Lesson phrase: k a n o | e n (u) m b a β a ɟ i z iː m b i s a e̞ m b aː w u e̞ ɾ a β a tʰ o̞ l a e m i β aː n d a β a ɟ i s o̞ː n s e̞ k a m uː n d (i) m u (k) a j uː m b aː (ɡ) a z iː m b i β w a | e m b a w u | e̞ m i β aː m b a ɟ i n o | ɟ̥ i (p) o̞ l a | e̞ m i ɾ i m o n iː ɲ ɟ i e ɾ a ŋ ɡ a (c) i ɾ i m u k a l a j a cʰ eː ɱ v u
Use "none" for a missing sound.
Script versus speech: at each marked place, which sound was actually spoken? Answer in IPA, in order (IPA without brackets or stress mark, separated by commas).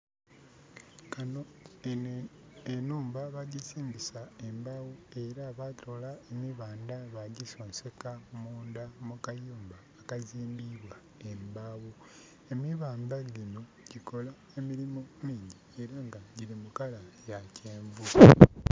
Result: uː, a, k, k, k, ɟ